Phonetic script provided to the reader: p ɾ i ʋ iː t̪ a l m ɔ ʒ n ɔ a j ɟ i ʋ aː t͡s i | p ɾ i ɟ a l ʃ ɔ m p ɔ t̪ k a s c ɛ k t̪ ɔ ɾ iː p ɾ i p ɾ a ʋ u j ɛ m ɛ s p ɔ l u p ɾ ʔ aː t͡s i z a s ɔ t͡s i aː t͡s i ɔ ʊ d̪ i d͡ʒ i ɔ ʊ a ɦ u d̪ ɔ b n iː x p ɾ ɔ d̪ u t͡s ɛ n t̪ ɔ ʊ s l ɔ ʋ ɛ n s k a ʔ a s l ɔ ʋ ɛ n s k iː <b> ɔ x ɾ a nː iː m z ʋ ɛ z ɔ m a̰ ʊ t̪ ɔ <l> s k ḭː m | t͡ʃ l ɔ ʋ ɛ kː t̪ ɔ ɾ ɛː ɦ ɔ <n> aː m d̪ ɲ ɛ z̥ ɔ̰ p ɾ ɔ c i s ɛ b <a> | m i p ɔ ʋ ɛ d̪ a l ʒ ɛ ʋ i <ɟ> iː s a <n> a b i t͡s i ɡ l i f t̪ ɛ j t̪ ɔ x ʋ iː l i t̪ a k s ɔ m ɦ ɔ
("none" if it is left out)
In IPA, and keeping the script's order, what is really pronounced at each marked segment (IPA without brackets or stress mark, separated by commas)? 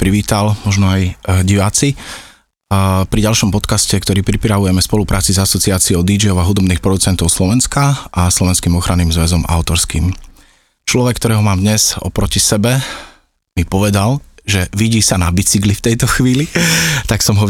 m, ɾ, m, ɛ, ɟ, n